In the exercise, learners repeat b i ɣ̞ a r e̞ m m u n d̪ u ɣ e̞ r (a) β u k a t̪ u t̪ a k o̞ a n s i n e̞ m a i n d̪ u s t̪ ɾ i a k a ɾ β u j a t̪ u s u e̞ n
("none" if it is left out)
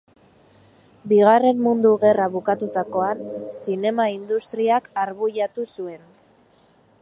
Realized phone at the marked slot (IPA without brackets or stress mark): a